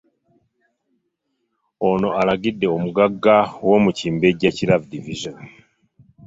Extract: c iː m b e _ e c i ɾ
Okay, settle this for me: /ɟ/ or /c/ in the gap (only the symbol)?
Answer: ɟ